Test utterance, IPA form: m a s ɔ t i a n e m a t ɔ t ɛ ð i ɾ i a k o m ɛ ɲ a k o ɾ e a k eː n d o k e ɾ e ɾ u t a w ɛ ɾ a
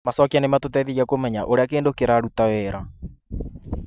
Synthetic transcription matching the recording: m a s ɔ k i a n e m a t o t ɛ ð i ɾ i a k o m ɛ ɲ a ʔ o ɾ e a k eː n d o k e ɾ a ɾ u t a w ɛ ɾ a